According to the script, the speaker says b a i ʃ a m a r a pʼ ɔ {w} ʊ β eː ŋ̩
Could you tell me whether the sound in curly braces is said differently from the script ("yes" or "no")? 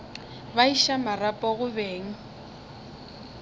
yes